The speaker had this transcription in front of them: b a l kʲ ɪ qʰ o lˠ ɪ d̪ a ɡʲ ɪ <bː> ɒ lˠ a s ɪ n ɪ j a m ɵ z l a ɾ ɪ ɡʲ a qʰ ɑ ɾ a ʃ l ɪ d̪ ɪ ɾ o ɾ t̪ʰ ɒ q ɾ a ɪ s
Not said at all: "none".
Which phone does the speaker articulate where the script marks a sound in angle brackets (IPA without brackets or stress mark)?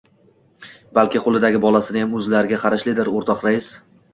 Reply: b